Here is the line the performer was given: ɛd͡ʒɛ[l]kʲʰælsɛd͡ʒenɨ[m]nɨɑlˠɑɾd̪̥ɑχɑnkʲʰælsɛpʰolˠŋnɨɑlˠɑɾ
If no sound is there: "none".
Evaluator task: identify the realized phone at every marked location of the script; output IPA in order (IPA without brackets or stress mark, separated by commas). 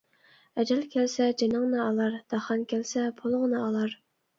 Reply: l, ŋ